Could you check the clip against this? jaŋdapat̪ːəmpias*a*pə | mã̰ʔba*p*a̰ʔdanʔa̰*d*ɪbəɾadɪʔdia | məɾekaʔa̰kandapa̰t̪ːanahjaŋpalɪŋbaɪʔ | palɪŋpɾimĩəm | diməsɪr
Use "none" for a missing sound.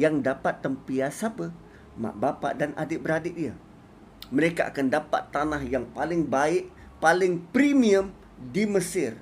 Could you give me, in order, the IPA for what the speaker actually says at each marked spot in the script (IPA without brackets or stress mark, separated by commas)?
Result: a, p, d